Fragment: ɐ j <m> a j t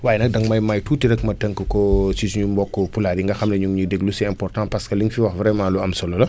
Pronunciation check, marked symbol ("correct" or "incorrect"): correct